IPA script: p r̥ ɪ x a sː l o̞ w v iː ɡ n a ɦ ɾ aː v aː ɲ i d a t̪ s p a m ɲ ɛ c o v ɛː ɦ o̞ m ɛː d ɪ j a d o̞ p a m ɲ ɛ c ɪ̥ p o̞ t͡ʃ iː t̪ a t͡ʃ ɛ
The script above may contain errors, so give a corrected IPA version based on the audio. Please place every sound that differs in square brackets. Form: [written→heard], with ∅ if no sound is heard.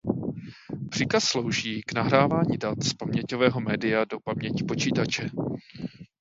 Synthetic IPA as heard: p r̥ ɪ [x→k] a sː l o̞ w [v→ʒ] iː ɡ n a ɦ ɾ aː v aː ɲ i d a t̪ s p a m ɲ ɛ c o v ɛː ɦ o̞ m ɛː d ɪ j a d o̞ p a m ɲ ɛ c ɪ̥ p o̞ t͡ʃ iː t̪ a t͡ʃ ɛ